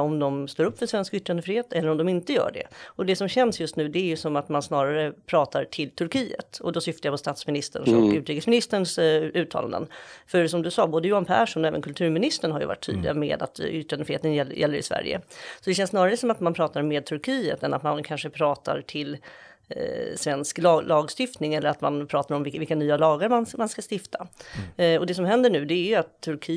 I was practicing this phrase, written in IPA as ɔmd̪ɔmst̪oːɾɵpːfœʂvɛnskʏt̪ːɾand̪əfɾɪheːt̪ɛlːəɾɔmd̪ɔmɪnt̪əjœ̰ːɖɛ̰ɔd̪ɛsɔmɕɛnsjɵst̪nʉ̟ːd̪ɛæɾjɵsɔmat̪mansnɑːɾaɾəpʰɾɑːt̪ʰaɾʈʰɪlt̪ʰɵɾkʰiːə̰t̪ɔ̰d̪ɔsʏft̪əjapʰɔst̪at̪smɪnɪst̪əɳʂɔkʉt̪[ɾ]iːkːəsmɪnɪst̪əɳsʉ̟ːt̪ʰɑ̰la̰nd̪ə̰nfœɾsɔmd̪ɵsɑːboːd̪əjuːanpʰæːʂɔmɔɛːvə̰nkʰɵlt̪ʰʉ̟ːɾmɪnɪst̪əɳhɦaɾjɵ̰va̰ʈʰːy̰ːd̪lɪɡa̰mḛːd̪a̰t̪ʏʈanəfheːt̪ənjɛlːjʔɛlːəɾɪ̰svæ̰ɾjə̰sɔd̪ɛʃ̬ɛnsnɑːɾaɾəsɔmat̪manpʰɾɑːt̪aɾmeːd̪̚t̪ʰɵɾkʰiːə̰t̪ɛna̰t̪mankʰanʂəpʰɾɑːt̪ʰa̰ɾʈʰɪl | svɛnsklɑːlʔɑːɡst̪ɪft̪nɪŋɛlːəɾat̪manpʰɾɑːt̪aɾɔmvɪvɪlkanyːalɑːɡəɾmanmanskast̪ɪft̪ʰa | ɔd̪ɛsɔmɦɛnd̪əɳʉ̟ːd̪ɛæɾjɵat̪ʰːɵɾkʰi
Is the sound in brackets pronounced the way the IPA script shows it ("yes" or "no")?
yes